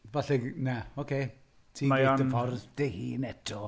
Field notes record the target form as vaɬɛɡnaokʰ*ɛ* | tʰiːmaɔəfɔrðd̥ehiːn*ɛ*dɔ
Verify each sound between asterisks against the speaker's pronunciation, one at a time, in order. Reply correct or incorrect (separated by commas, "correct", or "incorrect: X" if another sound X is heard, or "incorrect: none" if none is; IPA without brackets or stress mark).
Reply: incorrect: e, correct